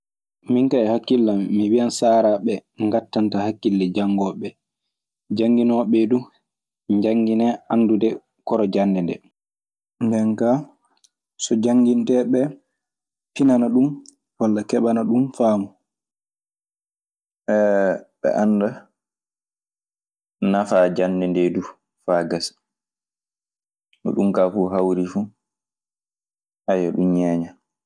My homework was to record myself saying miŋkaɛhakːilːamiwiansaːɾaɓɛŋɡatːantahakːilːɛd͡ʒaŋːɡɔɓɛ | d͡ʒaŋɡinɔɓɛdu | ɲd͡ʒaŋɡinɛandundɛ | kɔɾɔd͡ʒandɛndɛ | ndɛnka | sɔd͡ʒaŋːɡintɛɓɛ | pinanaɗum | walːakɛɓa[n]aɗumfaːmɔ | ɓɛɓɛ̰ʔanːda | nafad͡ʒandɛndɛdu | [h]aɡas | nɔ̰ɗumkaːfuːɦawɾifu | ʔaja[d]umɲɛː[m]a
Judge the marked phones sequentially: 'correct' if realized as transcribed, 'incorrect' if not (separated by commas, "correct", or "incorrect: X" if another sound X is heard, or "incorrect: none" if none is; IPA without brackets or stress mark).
correct, incorrect: f, incorrect: ɗ, incorrect: ɲ